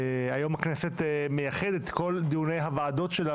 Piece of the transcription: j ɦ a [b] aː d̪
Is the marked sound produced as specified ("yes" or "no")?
no